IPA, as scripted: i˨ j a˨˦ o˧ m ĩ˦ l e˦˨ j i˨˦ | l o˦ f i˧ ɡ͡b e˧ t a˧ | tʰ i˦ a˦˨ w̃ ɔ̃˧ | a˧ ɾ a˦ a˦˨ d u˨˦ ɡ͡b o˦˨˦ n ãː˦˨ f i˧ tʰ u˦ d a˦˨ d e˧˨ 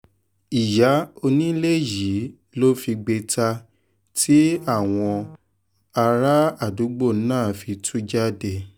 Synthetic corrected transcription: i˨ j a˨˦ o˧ n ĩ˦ l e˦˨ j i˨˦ | l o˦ f i˧ ɡ͡b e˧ t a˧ | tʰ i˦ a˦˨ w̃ ɔ̃˧ | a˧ ɾ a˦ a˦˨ d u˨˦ ɡ͡b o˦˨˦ n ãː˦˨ f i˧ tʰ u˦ d͡ʒ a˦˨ d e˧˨